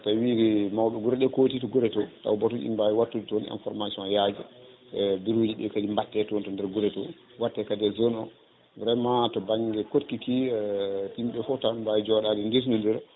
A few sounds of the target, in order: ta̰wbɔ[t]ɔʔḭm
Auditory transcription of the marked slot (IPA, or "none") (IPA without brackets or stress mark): t